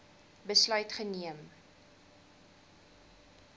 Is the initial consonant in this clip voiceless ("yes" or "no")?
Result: no